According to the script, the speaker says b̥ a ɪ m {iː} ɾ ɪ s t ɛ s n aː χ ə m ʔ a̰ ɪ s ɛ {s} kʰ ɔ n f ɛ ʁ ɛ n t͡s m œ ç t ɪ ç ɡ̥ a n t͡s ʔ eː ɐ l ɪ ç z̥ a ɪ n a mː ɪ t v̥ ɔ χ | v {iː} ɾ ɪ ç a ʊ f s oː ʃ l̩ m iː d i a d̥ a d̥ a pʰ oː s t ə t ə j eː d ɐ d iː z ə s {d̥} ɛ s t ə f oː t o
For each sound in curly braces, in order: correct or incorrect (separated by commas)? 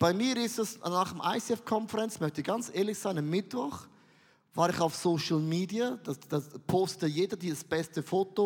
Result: correct, incorrect, incorrect, incorrect